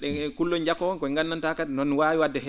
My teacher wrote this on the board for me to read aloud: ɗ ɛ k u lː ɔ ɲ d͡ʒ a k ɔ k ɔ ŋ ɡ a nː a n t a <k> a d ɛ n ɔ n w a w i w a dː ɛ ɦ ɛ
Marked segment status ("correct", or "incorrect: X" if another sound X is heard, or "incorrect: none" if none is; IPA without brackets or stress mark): correct